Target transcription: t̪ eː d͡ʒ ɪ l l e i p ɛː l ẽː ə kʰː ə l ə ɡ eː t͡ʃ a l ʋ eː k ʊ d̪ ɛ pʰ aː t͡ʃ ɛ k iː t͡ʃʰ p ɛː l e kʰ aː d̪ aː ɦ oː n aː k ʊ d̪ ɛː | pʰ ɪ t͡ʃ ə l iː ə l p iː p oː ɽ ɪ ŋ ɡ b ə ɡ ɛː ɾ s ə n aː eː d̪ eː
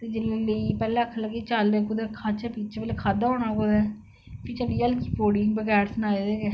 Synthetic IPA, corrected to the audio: t̪ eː d͡ʒ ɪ l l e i p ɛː l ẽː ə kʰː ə l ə ɡ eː t͡ʃ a l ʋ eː k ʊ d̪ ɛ kʰ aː t͡ʃ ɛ p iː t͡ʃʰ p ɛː l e kʰ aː d̪ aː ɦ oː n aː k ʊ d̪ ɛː | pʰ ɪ t͡ʃ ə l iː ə l k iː p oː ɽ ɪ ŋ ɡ b ə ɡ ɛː ɾ s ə n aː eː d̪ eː

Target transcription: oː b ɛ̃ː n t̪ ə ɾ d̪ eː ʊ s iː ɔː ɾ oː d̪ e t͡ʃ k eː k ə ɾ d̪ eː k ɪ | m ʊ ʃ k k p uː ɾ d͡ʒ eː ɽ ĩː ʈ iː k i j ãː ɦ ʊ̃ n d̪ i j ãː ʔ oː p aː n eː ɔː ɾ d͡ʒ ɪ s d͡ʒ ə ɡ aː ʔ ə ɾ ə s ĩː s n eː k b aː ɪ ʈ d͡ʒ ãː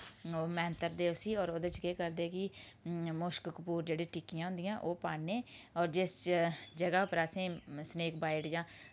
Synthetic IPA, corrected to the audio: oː m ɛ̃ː n t̪ ə ɾ d̪ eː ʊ s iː ɔː ɾ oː d̪ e t͡ʃ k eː k ə ɾ d̪ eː k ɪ | m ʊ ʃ k k p uː ɾ d͡ʒ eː ɽ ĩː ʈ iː k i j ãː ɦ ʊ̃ n d̪ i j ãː ʔ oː p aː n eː ɔː ɾ d͡ʒ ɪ s d͡ʒ ə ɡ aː p ə ɾ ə s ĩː s n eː k b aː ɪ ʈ d͡ʒ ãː

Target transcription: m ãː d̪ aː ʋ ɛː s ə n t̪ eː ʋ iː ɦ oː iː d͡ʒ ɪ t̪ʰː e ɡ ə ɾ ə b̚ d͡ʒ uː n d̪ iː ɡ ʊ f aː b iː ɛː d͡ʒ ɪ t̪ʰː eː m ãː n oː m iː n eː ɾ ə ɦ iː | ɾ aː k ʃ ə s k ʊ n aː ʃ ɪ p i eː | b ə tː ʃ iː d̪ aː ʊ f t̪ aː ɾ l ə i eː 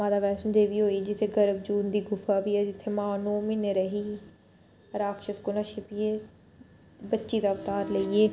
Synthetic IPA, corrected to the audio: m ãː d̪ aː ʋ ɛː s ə n d̪ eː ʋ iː ɦ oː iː d͡ʒ ɪ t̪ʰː e ɡ ə ɾ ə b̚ d͡ʒ uː n d̪ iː ɡ ʊ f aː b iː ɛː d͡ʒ ɪ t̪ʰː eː m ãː n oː m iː n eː ɾ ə ɦ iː | ɾ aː k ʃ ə s k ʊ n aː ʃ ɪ p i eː | b ə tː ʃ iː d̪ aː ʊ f t̪ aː ɾ l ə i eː

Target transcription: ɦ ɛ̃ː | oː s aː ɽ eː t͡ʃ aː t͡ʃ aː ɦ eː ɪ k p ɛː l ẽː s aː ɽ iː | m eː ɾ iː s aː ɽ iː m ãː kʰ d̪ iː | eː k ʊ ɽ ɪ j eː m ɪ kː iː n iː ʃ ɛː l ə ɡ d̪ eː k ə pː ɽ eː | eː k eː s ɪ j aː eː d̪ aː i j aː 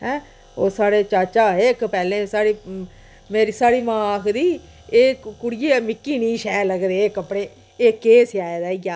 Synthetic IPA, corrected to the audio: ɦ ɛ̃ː | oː s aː ɽ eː t͡ʃ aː t͡ʃ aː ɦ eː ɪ k p ɛː l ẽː s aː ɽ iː | m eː ɾ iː s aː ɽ iː m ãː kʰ d̪ iː | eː k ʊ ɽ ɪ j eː m ɪ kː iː n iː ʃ ɛː l ə ɡ d̪ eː k ə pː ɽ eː | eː k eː s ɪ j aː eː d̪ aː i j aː

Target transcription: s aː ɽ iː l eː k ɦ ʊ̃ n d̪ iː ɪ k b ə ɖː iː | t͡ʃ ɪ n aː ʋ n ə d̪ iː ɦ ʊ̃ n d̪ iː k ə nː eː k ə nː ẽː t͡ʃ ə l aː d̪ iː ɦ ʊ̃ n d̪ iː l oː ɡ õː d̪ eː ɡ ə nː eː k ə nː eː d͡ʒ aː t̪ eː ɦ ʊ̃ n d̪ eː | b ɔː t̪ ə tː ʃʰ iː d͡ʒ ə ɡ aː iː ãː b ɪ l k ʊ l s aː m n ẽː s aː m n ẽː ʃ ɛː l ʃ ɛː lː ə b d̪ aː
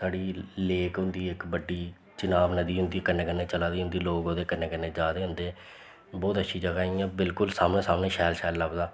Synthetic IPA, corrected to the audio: s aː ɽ iː l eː k ɦ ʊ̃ n d̪ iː ɪ k b ə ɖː iː | t͡ʃ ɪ n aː ʋ n ə d̪ iː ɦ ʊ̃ n d̪ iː k ə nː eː k ə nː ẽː t͡ʃ ə l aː d̪ iː ɦ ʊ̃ n d̪ iː l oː ɡ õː d̪ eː k ə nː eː k ə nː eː d͡ʒ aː d̪ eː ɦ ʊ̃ n d̪ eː | b ɔː t̪ ə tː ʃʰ iː d͡ʒ ə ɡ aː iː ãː b ɪ l k ʊ l s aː m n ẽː s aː m n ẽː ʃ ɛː l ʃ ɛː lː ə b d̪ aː

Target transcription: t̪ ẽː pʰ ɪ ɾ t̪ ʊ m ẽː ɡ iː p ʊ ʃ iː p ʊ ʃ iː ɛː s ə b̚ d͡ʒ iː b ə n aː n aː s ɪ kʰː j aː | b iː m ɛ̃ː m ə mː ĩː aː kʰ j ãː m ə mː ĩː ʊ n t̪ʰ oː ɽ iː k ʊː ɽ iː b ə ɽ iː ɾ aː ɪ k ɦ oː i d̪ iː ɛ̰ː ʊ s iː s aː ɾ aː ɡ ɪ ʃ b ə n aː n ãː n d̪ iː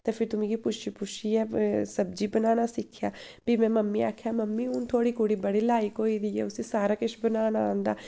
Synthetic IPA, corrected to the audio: t̪ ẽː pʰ ɪ ɾ t̪ ʊ m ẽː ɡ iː p ʊ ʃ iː p ʊ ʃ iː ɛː s ə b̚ d͡ʒ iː b ə n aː n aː s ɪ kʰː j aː | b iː m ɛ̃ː m ə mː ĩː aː kʰ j aː m ə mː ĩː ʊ n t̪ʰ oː ɽ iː k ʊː ɽ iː b ə ɽ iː l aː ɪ k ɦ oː i d̪ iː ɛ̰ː ʊ s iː s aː ɾ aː k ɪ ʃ b ə n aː n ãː n d̪ aː

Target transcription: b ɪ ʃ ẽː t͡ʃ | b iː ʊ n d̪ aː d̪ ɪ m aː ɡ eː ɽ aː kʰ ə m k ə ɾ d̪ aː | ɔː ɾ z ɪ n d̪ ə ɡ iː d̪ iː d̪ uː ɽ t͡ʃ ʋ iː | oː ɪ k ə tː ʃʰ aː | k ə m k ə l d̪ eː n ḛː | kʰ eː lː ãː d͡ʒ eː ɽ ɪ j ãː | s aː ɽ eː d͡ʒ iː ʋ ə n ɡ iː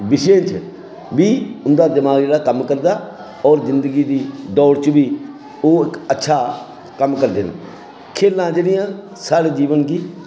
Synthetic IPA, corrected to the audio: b ɪ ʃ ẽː t͡ʃ | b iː ʊ n d̪ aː d̪ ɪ m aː ɡ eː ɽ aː k ə m k ə ɾ d̪ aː | ɔː ɾ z ɪ n d̪ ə ɡ iː d̪ iː d̪ ɔː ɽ t͡ʃ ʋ iː | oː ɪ k ə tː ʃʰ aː | k ə m k ə ɾ d̪ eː n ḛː | kʰ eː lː ãː d͡ʒ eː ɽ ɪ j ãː | s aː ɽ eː d͡ʒ iː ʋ ə n ɡ iː

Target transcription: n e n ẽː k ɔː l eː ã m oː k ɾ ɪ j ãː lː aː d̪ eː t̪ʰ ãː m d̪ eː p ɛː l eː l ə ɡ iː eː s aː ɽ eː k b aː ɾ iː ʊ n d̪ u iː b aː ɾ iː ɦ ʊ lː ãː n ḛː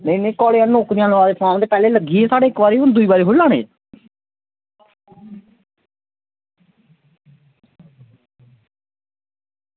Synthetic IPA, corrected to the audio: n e n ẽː k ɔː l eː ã n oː k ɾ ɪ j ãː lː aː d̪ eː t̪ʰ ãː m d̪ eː p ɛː l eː l ə ɡ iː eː s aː ɽ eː k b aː ɾ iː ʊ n d̪ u iː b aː ɾ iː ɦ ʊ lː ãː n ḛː

